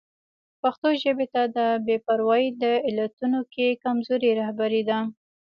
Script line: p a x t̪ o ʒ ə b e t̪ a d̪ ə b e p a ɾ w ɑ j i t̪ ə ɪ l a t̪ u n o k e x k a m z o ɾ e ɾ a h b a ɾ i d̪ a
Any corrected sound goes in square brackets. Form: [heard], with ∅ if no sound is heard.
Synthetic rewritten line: p a x t̪ o ʒ ə b e t̪ a d̪ ə b e p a ɾ w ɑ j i [d̪] ə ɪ l a t̪ u n o k e [∅] k a m z o ɾ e ɾ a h b a ɾ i d̪ a

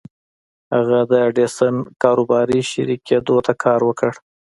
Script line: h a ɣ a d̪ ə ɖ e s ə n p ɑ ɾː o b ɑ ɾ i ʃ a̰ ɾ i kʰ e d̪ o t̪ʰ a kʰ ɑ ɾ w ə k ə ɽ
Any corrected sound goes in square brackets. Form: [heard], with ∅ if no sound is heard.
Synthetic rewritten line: h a ɣ a d̪ ə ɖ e s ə n [k] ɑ [ɾ] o b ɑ ɾ i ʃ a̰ ɾ i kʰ e d̪ o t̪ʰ a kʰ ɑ ɾ w ə k ə ɽ

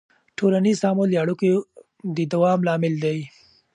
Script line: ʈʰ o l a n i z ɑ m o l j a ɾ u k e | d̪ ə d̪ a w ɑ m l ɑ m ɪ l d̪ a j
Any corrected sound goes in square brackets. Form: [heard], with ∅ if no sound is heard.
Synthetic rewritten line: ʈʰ o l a n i z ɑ m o l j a [ɽ] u k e | d̪ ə d̪ a w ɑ m l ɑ m ɪ l d̪ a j

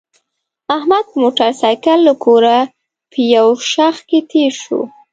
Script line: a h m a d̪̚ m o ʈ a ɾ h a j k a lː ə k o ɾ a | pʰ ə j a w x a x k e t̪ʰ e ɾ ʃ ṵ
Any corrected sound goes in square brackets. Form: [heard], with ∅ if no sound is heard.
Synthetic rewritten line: a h m a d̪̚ m o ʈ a ɾ [s] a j k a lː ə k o ɾ a | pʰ ə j a w [ʃ] a x k e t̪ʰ e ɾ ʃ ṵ

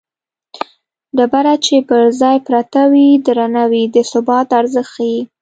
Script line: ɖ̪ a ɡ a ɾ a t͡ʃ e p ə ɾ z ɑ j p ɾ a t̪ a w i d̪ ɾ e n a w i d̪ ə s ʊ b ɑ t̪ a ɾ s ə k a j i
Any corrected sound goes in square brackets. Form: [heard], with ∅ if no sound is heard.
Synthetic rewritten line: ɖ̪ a [b] a ɾ a t͡ʃ e p ə ɾ z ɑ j p ɾ a t̪ a w i d̪ ɾ [a] n a w i d̪ ə s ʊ b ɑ t̪ a ɾ [z] ə [x] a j i

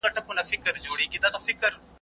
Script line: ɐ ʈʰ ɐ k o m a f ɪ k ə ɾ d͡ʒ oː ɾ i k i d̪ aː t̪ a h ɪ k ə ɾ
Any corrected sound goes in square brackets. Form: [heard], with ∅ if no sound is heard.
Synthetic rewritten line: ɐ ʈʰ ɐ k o [n] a f ɪ k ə ɾ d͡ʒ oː [ɽ] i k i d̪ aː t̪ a [f] ɪ k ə ɾ

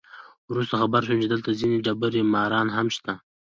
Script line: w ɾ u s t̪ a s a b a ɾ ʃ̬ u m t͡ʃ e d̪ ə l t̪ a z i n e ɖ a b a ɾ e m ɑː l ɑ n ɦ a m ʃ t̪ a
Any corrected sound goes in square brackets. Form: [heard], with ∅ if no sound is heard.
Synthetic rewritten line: w ɾ u s t̪ a [x] a b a ɾ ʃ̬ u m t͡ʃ e d̪ ə l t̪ a z i n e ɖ a b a ɾ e m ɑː [ɾ] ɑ n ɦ a m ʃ t̪ a

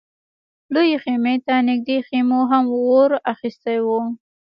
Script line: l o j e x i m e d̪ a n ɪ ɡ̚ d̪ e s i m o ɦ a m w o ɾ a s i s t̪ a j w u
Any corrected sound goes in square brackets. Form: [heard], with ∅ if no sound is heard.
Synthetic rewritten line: l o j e x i m e [t̪] a n ɪ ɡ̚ d̪ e [x] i m o ɦ a m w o ɾ a [x] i s t̪ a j w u

